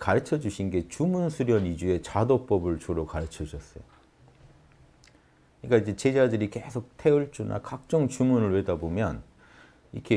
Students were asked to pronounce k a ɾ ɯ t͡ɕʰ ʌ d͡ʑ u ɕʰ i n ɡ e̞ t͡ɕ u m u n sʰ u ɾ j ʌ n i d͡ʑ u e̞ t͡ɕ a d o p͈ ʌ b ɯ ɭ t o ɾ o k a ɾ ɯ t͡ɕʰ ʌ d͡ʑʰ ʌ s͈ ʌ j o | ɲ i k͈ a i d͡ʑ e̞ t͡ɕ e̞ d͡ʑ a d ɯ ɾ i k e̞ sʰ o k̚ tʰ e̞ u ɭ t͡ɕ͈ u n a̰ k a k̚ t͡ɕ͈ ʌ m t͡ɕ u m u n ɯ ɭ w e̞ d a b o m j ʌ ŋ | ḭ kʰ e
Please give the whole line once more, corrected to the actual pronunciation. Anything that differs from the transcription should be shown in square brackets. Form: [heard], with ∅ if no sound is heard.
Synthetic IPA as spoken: k a ɾ ɯ t͡ɕʰ ʌ d͡ʑ u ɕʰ i n ɡ e̞ t͡ɕ u m u n sʰ u ɾ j ʌ n i d͡ʑ u e̞ t͡ɕ a d o p͈ ʌ b ɯ ɭ [t͡ɕ] o ɾ o k a ɾ ɯ t͡ɕʰ ʌ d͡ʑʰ ʌ s͈ ʌ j o | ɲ i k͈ a i d͡ʑ e̞ t͡ɕ e̞ d͡ʑ a d ɯ ɾ i k e̞ sʰ o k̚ tʰ e̞ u ɭ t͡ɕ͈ u n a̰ k a k̚ t͡ɕ͈ ʌ [ŋ] t͡ɕ u m u n ɯ ɭ w e̞ d a b o m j ʌ [n] | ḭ kʰ e